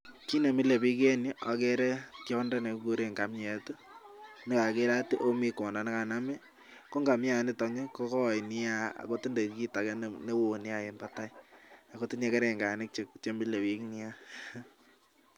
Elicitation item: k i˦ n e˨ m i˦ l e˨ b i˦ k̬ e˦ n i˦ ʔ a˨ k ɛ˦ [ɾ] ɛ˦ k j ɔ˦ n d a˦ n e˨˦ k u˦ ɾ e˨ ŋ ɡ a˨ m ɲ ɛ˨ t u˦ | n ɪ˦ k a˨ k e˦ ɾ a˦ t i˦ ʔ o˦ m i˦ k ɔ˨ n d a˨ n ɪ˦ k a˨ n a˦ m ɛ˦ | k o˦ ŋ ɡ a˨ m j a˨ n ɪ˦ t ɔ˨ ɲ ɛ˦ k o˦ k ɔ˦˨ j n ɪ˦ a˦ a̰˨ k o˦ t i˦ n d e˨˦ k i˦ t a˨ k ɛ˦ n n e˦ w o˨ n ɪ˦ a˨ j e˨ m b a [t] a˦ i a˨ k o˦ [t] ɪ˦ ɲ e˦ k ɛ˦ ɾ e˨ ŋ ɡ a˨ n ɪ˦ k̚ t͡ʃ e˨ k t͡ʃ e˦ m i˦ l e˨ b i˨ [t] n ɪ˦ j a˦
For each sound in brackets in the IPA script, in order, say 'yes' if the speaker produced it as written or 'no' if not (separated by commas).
yes, yes, yes, no